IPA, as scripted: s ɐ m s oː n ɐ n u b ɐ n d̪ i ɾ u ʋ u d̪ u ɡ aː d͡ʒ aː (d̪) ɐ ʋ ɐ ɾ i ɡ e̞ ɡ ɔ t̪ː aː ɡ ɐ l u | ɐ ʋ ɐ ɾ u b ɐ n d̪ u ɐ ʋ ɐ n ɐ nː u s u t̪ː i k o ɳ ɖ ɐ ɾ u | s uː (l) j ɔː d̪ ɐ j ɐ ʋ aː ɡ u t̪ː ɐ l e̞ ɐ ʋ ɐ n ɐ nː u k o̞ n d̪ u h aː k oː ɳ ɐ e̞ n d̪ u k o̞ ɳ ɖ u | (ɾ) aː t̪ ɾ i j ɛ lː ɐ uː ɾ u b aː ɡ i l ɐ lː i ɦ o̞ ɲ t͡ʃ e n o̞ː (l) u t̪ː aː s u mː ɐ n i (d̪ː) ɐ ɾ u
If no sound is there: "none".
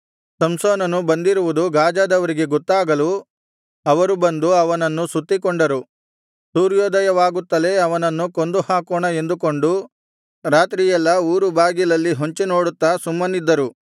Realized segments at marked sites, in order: d̪, ɾ, ɾ, ɽ, d̪ː

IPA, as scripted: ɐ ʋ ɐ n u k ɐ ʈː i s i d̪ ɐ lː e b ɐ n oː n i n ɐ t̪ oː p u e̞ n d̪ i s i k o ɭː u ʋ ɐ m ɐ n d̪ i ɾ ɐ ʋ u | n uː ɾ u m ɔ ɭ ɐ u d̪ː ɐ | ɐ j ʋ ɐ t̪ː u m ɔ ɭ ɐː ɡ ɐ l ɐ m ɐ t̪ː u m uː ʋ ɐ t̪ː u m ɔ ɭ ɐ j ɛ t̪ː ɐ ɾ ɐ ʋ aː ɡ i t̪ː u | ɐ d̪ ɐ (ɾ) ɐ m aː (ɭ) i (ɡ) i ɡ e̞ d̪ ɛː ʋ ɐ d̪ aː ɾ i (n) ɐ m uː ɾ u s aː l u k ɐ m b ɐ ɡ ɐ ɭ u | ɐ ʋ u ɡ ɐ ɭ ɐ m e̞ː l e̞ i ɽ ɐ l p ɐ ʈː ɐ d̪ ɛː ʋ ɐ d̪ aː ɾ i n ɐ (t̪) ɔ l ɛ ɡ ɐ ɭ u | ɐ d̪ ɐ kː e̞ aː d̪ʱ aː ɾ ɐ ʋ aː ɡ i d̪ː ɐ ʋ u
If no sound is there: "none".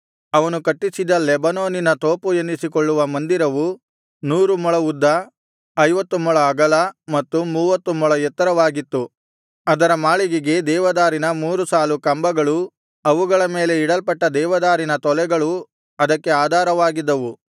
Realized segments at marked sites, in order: ɾ, ɭ, ɡ, n, t̪

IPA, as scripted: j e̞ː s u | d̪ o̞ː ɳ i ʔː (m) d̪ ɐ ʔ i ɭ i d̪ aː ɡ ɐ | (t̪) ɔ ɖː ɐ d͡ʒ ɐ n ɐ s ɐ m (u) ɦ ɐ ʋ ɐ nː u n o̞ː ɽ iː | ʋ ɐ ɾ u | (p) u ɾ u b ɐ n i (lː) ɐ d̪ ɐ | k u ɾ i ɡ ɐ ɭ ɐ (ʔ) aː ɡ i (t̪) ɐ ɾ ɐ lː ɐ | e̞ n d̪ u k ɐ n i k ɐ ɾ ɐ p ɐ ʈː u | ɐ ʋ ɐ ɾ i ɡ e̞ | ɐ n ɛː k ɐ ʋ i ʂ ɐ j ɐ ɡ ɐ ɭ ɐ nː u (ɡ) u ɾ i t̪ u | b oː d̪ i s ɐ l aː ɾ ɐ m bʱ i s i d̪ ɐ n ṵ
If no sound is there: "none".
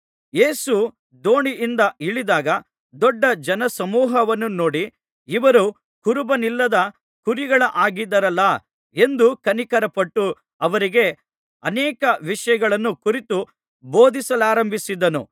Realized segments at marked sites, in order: n, d̪, uː, k, lː, ʔ, d̪, k

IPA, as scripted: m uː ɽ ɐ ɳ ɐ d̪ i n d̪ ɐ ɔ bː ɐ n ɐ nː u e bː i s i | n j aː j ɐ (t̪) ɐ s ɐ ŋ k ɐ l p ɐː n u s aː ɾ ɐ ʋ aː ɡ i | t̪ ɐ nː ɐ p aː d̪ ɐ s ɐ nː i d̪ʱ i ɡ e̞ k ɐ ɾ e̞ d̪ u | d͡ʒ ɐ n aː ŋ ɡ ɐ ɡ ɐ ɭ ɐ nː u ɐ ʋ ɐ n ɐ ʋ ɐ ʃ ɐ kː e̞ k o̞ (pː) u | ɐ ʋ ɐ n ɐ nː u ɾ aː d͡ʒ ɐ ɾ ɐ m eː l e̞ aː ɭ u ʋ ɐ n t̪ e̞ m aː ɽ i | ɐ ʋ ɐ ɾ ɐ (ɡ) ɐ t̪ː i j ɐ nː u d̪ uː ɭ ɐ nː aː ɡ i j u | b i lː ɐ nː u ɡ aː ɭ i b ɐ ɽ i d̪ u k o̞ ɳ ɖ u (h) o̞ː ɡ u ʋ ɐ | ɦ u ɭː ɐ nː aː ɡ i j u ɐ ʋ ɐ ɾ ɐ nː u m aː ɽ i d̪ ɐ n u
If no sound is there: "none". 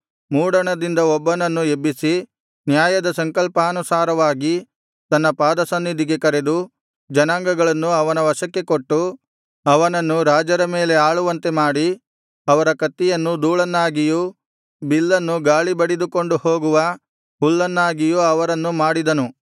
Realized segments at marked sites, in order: d̪, ʈː, k, h

